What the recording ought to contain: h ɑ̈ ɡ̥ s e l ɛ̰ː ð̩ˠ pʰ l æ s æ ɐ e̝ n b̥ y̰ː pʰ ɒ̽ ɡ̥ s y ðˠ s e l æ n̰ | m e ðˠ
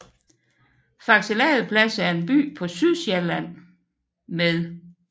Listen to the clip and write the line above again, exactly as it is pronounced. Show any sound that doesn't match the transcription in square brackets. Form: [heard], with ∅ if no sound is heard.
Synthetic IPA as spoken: [f] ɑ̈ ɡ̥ s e l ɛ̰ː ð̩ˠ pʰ l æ s æ ɐ e̝ n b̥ y̰ː pʰ ɒ̽ [∅] s y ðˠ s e l æ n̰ | m e ðˠ